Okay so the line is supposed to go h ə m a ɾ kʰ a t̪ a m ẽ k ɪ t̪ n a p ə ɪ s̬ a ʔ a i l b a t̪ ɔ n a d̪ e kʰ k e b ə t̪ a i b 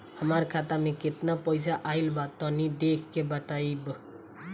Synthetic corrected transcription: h ə m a ɾ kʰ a t̪ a m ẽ k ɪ t̪ n a p ə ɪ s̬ a ʔ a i l b a t̪ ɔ n i d̪ e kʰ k e b ə t̪ a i b